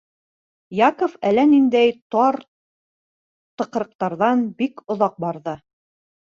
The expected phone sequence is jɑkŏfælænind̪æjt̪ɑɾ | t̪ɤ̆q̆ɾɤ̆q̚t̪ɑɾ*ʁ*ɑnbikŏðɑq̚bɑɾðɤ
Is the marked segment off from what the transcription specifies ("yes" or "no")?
yes